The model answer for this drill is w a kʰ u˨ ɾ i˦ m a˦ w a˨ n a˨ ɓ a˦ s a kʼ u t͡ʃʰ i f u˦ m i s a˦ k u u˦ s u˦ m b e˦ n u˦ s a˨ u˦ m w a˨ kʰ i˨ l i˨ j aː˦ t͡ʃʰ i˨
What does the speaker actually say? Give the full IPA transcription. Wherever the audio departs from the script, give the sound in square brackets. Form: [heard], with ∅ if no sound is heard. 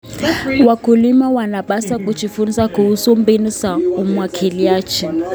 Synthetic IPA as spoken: w a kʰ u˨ [l] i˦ m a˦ w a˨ n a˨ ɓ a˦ s a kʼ u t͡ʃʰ i f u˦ [n] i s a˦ k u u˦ s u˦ m b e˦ n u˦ s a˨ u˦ m w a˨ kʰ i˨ l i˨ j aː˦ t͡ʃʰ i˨